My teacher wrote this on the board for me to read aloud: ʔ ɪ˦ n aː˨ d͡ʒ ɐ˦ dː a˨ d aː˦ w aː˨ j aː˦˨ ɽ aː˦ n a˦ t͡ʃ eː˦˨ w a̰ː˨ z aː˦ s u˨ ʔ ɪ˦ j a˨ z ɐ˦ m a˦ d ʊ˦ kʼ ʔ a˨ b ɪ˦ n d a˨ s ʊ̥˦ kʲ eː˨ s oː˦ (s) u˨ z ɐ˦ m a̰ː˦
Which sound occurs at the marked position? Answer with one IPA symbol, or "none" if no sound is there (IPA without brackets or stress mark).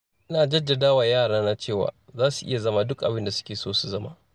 s